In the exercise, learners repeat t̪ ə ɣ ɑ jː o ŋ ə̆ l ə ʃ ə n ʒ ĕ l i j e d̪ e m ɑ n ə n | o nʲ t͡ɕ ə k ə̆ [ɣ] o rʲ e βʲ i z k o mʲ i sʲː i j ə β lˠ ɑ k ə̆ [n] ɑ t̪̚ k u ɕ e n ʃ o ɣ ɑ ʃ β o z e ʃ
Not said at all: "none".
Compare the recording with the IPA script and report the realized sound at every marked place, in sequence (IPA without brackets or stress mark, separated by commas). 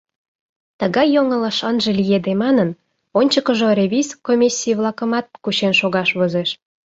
ʒ, m